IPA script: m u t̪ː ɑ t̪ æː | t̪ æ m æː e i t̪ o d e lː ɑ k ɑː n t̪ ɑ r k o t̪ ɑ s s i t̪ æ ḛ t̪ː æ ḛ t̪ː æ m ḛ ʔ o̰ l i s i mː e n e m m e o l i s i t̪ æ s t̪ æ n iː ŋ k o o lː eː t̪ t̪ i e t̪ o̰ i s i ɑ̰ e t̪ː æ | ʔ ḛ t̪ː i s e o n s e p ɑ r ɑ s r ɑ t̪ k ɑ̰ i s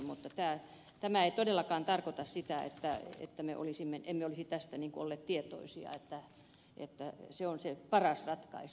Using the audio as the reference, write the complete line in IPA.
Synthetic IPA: m u t̪ː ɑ t̪ æː | t̪ æ m æ e i t̪ o d e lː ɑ k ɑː n t̪ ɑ r k o t̪ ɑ s s i t̪ æ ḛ t̪ː æ ḛ t̪ː æ m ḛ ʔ o̰ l i s i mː e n e m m e o l i s i t̪ æ s t̪ æ n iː ŋ k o o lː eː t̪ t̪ i e t̪ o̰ i s i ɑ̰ e t̪ː æ | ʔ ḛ t̪ː æ s e o n s e p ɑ r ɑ s r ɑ t̪ k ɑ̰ i s

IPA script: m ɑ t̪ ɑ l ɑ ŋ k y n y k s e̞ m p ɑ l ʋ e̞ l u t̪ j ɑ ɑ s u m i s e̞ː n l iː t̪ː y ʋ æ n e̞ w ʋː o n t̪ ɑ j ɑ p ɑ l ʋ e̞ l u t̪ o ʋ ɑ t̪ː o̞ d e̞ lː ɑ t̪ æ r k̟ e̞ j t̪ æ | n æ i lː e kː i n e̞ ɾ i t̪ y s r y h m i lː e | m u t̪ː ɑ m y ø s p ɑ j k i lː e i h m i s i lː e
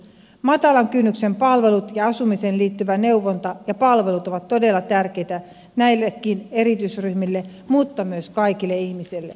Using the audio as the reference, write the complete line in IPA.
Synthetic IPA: m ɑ t̪ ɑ l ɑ ŋ k y nː y k s e̞ m p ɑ l ʋ e̞ l u t̪ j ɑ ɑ s u m i s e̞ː n l iː t̪ː y ʋ æ n e̞ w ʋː o n t̪ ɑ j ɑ p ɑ l ʋ e̞ l u t̪ o ʋ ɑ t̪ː o̞ d e̞ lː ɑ t̪ æ r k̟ e̞ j t̪ æ | n æ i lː e kː i n e̞ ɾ i t̪ y s r y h m i lː e | m u t̪ː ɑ m y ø s k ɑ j k i lː e i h m i s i lː e

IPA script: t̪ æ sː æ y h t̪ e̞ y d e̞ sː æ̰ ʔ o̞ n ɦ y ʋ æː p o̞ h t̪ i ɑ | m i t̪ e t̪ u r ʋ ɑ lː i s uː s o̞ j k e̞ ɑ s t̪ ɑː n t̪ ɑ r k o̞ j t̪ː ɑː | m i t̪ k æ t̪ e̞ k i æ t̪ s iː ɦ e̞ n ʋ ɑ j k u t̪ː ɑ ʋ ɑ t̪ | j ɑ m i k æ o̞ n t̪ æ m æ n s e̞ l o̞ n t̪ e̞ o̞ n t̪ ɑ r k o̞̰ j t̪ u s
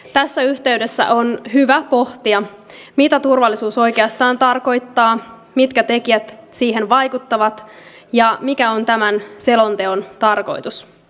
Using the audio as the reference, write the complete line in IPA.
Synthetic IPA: t̪ æ sː æ y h t̪ e̞ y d e̞ sː æ̰ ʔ o̞ n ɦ y ʋ æ p o̞ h t̪ i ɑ | m i t̪ æ t̪ u r ʋ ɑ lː i s uː s o̞ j k e̞ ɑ s t̪ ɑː n t̪ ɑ r k o̞ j t̪ː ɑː | m i t̪ k æ t̪ e̞ k i æ t̪ s iː ɦ e̞ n ʋ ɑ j k u t̪ː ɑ ʋ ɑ t̪ | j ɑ m i k æ o̞ n t̪ æ m æ n s e̞ l o̞ n t̪ e̞ o̞ n t̪ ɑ r k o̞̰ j t̪ u s

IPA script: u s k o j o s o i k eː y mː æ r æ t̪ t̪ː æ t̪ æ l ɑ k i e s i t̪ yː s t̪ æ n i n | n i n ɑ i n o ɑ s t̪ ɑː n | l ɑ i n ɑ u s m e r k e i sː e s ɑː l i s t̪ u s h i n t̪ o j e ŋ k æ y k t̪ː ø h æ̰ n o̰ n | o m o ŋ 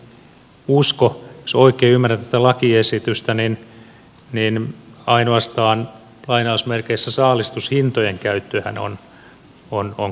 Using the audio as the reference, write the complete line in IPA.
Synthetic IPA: u s k o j o s o i k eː y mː æ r æ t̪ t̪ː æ t̪ æ l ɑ k i e s i t̪ y s t̪ æ n i n | n i n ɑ i n o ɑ s t̪ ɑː n | l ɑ i n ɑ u s m e r k e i sː æ s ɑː l i s t̪ u s h i n t̪ o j e ŋ k æ y t̪ː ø h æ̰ n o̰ n | o n o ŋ

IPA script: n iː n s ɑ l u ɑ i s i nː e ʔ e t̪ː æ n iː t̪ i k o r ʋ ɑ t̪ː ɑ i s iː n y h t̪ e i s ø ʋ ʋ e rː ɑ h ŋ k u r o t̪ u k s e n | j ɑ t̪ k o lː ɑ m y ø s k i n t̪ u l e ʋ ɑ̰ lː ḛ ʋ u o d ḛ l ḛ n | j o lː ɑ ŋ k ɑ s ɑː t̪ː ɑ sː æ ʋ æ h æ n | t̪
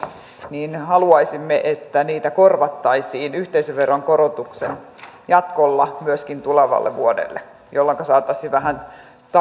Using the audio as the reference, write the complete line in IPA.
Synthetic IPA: n iː n h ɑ l u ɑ i s i mː e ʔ e t̪ː æ n iː t̪ æ k o r ʋ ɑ t̪ː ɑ i s iː n y h t̪ e i s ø ʋ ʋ e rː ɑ ŋ k o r o t̪ u k s e n | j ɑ t̪ k o lː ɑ m y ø s k i n t̪ u l e ʋ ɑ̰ lː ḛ ʋ u o d ḛ lː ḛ | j o lː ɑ ŋ k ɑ s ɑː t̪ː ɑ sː i ʋ æ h æ n | t̪

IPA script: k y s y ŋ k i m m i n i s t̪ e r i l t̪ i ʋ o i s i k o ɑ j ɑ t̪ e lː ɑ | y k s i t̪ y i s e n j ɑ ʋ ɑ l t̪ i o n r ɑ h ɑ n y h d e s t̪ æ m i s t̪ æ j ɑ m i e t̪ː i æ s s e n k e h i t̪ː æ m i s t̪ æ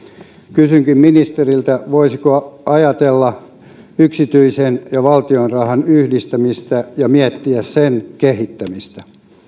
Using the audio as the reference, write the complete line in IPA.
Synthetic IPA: k y s y ŋ k i m m i n i s t̪ e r i l t̪ æ ʋ o i s i k o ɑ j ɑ t̪ e lː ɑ | y k s i t̪ y i s e n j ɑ ʋ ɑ l t̪ i o n r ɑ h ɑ n y h d i s t̪ æ m i s t̪ æ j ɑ m i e t̪ː i æ s s e n k e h i t̪ː æ m i s t̪ æ

